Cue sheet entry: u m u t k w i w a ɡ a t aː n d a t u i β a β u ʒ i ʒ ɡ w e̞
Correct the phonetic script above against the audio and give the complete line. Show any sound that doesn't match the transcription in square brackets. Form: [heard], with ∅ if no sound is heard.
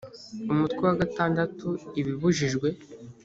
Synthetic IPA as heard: u m u t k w i w a ɡ a t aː n d a t u i β [i] β u ʒ i ʒ ɡ w e̞